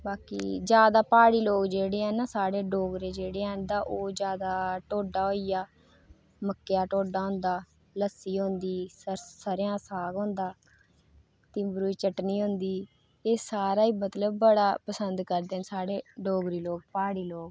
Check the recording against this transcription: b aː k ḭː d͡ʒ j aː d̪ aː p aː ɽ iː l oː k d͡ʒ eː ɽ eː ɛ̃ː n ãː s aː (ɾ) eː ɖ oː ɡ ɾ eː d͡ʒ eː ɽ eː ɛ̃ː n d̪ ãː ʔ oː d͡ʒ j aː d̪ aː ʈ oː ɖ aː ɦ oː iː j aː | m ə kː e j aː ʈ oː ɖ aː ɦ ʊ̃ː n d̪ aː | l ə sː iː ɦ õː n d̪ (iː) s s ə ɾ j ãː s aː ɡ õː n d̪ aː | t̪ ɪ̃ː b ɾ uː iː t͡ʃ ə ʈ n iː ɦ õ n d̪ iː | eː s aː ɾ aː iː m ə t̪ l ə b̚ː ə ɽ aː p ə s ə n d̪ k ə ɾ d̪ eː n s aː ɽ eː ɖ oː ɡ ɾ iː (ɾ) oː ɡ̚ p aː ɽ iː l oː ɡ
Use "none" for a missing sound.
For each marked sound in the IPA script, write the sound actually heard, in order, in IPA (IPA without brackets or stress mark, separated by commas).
ɽ, iː, l